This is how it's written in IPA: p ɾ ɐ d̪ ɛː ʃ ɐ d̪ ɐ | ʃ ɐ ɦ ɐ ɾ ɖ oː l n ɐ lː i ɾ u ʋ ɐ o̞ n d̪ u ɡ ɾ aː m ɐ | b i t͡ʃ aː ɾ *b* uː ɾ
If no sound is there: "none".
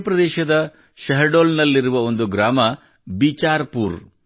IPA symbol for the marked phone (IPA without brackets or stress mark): p